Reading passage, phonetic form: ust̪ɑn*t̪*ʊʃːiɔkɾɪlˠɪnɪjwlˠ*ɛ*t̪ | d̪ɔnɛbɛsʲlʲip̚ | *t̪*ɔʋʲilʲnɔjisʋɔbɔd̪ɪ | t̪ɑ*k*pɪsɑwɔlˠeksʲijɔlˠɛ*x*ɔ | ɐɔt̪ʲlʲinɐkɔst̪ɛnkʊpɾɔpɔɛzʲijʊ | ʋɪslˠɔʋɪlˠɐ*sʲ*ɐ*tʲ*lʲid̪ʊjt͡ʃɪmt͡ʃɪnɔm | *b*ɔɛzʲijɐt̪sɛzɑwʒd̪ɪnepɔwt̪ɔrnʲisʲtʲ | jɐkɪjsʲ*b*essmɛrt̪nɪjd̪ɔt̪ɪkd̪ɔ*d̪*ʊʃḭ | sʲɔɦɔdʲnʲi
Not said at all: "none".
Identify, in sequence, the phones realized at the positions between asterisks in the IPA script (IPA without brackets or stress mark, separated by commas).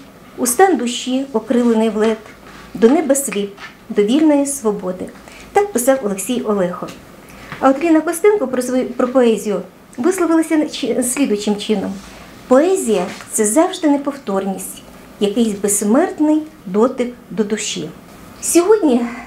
d̪, ɛ, d̪, k, x, sʲ, sʲ, p, b, d̪